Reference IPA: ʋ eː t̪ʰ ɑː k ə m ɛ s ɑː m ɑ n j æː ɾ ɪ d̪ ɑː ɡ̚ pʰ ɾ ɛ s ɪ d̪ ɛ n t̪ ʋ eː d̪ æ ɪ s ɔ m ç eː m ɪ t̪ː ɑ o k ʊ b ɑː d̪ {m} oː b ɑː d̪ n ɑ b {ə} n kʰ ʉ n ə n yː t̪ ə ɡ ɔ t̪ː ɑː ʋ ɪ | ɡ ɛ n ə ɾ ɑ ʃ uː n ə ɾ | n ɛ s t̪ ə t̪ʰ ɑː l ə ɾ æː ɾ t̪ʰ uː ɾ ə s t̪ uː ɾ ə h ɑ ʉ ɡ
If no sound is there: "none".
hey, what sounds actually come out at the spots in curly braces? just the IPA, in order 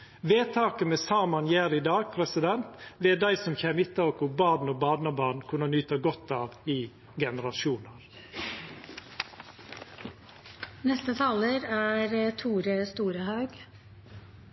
n, ɑ

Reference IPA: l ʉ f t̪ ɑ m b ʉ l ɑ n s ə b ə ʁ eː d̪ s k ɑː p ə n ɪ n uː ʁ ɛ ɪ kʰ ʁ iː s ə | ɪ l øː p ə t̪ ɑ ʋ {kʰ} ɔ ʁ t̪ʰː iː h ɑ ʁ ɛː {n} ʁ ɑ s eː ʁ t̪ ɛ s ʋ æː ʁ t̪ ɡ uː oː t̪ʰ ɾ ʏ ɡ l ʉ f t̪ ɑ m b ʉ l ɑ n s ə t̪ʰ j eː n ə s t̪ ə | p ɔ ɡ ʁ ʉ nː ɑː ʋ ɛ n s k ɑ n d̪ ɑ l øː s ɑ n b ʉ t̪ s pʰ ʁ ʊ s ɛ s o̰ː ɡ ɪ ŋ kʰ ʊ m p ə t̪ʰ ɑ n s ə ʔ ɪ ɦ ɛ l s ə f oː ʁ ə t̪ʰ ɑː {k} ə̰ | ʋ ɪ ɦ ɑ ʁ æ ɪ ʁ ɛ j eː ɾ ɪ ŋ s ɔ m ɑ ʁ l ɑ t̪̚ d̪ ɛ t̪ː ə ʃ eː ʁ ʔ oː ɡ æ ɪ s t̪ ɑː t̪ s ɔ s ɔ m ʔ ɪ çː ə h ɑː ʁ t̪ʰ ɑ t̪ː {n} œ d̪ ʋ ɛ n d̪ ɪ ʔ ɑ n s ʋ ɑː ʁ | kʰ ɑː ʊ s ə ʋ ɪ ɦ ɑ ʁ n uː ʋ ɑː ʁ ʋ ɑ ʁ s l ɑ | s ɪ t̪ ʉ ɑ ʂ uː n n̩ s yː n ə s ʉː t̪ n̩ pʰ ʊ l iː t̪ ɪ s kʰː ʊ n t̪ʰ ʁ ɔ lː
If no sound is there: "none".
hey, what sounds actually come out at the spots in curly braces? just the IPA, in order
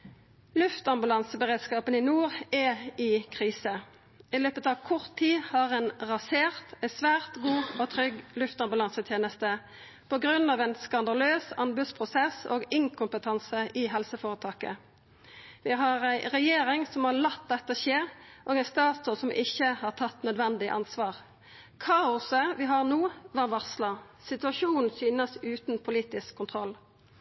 kʰ, n, k, n

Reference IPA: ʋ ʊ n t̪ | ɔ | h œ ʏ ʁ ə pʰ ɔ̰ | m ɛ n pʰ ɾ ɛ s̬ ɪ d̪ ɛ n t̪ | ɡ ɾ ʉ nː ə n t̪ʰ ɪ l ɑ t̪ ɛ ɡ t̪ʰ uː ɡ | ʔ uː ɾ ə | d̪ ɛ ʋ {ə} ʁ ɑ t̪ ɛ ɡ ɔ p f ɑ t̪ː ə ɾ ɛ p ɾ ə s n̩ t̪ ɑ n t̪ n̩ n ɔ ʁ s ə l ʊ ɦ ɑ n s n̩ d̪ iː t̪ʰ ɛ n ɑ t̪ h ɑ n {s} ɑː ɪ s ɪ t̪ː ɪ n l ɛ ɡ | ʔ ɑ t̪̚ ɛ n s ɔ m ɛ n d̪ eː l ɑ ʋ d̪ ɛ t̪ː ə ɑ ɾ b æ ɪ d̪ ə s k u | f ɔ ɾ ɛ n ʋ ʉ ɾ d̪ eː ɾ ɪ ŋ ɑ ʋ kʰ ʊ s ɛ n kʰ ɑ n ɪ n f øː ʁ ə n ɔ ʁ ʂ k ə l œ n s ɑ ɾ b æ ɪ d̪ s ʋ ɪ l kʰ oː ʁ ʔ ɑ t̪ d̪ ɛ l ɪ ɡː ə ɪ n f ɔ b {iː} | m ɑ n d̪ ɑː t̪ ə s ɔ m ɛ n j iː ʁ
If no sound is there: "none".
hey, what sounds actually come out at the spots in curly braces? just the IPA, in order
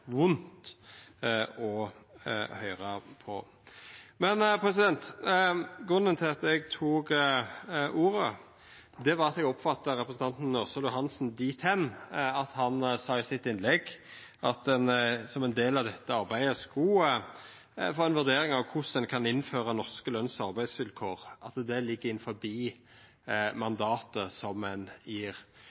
ɑ, s, iː

